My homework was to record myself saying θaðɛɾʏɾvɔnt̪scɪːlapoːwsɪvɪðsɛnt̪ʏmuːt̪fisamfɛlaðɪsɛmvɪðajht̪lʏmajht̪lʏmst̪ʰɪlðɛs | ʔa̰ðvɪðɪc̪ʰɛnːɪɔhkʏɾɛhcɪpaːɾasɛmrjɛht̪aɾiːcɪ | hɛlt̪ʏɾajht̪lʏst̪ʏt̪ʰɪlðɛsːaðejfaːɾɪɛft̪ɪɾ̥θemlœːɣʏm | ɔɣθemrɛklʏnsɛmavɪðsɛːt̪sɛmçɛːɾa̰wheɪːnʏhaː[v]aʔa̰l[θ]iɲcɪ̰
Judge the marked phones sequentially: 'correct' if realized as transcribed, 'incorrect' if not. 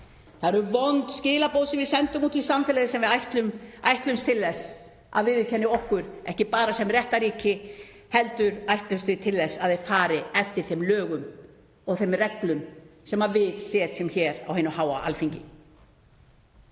incorrect: w, incorrect: f

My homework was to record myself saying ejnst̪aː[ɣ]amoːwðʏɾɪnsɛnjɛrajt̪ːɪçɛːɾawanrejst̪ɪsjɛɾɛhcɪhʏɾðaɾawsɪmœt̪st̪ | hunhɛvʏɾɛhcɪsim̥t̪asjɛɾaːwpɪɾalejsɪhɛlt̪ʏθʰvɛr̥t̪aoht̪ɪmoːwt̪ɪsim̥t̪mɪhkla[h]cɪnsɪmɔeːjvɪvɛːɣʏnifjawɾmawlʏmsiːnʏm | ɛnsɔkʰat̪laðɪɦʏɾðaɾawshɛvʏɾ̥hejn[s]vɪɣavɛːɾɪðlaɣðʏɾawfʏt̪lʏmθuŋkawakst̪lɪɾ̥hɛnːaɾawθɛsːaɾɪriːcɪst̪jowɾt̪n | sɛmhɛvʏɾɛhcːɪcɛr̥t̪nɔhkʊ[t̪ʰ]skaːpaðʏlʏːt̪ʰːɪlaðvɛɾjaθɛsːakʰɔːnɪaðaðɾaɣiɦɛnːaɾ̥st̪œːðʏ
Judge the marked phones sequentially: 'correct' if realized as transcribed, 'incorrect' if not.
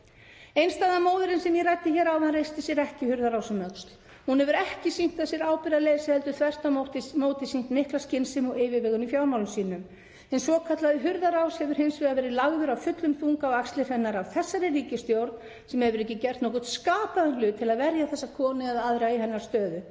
incorrect: ð, incorrect: s, correct, incorrect: t̪

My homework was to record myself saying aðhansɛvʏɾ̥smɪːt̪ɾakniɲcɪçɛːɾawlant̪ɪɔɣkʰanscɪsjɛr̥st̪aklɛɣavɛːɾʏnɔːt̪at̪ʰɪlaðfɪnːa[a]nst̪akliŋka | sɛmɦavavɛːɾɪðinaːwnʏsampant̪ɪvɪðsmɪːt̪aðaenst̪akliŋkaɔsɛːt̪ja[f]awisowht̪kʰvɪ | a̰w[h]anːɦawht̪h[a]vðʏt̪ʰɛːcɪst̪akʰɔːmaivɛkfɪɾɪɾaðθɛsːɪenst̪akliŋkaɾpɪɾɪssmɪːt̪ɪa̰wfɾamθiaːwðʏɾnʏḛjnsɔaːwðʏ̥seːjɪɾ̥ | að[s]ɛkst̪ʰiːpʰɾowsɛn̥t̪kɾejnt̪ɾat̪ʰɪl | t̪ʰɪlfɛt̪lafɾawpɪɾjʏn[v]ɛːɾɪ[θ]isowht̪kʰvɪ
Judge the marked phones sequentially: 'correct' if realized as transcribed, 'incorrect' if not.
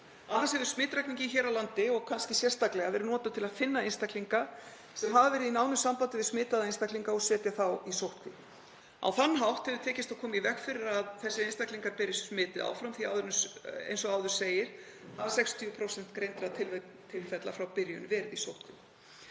incorrect: e, incorrect: θ, incorrect: θ, incorrect: ɛ, correct, correct, incorrect: ð

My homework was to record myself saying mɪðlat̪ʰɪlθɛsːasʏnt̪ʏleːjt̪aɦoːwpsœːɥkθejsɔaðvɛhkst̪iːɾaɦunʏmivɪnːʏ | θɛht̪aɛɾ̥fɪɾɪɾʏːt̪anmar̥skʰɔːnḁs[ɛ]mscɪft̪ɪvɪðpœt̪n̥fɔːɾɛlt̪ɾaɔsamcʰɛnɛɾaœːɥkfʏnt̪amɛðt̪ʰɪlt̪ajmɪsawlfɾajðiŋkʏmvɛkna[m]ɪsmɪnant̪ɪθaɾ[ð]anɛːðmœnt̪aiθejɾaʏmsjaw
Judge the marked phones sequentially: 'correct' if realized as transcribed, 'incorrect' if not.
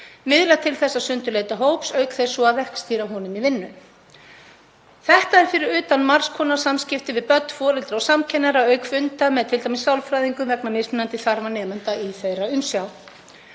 incorrect: a, correct, incorrect: v

